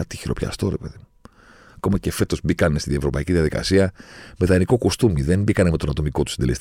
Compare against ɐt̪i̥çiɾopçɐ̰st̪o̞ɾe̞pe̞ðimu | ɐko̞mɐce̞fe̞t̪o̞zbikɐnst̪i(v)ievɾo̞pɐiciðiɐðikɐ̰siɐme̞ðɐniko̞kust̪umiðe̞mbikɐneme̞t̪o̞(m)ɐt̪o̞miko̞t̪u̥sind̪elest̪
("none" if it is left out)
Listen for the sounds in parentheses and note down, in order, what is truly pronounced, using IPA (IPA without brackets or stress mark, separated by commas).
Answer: ð, n